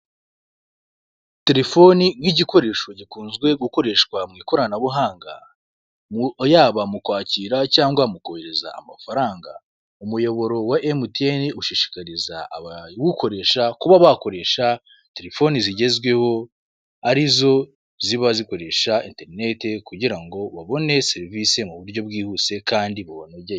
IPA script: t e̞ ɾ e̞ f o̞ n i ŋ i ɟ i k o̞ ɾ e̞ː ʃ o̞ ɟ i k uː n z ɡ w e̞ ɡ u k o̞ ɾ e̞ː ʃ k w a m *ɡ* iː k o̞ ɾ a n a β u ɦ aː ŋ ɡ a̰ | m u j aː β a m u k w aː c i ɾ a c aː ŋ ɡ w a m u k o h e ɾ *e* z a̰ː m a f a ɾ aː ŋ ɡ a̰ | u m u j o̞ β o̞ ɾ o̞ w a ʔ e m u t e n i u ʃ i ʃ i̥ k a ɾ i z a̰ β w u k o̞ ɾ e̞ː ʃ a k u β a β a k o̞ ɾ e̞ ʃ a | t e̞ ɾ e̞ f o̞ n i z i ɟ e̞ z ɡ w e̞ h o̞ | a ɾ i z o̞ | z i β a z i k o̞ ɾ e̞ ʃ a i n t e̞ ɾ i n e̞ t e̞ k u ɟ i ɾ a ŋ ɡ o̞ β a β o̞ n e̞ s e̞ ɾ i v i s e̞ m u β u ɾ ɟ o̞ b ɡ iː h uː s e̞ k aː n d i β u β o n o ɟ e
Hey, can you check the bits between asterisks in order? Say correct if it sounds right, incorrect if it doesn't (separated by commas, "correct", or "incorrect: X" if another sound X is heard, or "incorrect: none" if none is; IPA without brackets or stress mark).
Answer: incorrect: ŋ, correct